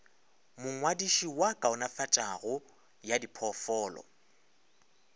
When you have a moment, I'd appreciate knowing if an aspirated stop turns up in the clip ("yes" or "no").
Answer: yes